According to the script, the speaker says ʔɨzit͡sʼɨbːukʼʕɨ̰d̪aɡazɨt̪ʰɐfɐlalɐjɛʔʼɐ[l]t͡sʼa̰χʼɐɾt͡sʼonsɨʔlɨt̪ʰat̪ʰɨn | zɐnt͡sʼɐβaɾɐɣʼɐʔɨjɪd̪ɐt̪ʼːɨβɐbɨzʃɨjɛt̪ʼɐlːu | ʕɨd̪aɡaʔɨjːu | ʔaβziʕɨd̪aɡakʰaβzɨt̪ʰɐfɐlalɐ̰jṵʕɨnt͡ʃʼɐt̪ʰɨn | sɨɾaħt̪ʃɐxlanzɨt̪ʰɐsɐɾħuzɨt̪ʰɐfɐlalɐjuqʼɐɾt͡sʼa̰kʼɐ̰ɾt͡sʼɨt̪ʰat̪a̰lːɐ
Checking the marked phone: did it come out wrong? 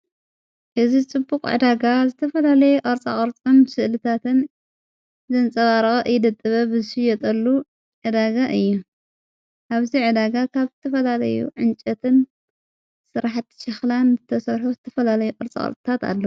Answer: yes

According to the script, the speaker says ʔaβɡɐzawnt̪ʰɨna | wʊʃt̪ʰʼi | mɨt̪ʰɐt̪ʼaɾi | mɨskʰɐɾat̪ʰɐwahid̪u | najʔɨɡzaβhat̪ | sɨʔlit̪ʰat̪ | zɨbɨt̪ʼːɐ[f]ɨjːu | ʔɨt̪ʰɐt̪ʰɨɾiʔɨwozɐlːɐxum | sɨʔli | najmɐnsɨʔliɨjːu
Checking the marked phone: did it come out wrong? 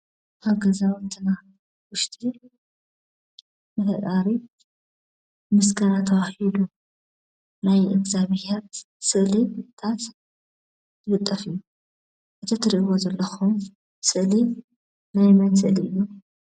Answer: no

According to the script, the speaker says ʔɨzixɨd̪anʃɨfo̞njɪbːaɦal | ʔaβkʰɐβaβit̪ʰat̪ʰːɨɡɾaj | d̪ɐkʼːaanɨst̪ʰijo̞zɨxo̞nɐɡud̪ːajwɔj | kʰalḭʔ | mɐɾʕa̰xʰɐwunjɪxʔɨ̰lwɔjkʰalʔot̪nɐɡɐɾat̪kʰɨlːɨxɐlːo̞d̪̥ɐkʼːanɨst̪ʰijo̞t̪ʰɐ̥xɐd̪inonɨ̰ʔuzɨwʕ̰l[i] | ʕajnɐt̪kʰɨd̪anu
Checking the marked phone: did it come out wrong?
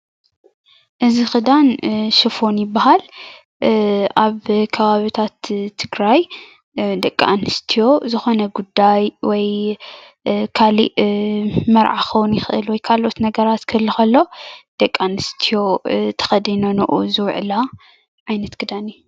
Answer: yes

